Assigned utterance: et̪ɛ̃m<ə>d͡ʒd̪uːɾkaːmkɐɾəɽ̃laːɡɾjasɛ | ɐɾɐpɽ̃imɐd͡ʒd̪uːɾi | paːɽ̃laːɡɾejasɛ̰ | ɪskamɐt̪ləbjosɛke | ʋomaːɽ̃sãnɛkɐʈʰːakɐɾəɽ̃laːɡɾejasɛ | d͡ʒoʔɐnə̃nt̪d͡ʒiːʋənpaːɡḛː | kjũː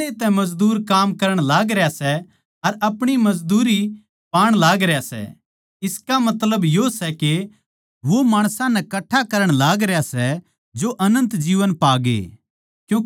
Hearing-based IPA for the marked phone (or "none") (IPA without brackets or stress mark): ɐ